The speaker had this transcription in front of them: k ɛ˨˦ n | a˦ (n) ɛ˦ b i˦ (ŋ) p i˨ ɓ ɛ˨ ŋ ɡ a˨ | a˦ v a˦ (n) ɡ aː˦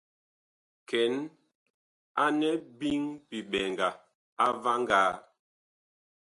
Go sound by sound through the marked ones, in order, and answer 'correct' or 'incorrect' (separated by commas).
correct, correct, incorrect